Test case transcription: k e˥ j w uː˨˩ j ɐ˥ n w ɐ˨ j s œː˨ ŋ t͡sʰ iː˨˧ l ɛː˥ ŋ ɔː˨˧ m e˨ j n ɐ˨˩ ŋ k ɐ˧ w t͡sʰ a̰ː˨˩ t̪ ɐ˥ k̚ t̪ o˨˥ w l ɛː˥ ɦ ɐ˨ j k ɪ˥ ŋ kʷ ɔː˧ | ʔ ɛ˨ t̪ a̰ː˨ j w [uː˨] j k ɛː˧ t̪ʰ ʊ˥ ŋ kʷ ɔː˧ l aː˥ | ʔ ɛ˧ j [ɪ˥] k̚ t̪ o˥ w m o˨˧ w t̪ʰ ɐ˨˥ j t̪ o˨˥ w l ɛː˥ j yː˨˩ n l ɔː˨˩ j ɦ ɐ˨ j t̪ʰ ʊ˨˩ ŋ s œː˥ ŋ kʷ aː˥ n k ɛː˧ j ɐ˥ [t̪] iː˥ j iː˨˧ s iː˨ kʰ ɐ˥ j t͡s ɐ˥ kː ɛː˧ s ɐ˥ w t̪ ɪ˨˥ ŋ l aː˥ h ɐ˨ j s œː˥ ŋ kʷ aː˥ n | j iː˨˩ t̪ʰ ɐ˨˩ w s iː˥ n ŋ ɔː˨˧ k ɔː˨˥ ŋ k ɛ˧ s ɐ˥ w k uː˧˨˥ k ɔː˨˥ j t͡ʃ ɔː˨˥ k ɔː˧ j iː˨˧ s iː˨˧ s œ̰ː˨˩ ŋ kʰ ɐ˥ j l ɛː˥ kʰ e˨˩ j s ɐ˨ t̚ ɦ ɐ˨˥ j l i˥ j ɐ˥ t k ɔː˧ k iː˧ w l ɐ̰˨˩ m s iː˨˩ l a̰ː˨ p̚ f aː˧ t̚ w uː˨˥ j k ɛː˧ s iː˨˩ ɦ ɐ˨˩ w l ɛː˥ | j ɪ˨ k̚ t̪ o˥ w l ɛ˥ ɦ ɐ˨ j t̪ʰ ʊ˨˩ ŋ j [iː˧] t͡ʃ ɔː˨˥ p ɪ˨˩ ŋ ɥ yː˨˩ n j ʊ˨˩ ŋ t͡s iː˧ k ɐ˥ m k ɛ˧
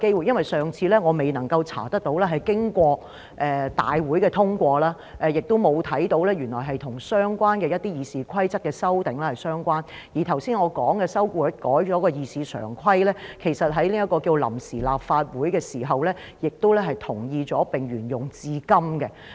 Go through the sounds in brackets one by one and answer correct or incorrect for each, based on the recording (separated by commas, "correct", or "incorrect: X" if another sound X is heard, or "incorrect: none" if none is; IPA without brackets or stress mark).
incorrect: uː˨˥, incorrect: ɪ˨, correct, correct